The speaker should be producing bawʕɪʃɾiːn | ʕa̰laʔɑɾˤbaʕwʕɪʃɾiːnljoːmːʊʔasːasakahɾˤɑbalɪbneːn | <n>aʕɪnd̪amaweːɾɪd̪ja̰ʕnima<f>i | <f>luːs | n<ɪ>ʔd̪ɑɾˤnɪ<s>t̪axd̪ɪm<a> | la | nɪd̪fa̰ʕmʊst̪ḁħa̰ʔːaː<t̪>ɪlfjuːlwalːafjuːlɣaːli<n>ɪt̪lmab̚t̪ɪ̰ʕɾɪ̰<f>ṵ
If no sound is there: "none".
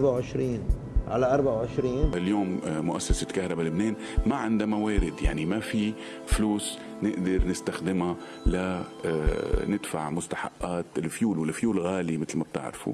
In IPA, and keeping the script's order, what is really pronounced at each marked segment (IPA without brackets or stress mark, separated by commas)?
m, f, f, ɪ, s, a, t̪, m, f